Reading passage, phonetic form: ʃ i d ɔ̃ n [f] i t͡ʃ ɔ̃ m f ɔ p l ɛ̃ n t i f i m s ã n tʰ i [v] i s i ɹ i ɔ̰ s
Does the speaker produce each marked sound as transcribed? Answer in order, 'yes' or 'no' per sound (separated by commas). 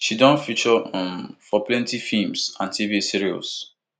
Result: yes, yes